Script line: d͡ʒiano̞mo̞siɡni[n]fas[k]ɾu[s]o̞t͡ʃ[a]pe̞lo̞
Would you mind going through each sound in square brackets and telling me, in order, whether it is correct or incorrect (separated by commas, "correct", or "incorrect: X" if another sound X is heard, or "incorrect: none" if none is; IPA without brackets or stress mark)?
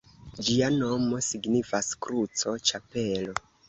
incorrect: none, correct, incorrect: t͡s, correct